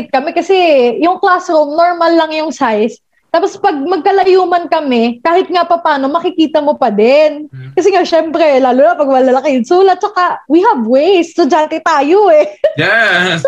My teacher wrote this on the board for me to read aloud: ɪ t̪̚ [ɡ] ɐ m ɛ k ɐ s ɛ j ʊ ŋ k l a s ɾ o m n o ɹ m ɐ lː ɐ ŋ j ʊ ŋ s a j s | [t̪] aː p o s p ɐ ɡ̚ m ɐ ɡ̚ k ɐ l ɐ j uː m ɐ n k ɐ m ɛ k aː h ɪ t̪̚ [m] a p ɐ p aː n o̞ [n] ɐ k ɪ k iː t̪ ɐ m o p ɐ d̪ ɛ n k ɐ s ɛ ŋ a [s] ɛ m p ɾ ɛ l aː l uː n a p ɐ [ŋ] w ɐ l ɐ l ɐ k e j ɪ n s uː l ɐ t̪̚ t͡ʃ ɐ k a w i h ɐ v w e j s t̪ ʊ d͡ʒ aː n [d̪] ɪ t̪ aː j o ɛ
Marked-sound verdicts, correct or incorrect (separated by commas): incorrect, correct, incorrect, incorrect, incorrect, incorrect, incorrect